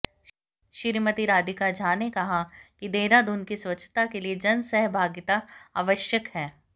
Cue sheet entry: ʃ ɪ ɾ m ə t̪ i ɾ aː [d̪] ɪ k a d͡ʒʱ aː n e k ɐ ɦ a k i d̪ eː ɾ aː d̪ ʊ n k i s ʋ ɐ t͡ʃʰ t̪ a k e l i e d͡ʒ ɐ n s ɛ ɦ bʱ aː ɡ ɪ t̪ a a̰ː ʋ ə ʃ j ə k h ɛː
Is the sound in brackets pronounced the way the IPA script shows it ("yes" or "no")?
yes